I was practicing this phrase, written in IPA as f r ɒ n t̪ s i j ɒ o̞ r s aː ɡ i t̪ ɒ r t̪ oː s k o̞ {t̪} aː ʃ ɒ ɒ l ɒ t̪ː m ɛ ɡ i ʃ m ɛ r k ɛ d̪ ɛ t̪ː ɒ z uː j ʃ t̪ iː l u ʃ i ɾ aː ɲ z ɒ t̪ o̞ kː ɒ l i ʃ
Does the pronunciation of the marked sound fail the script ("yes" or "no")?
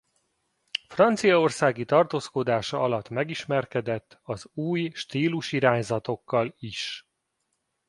yes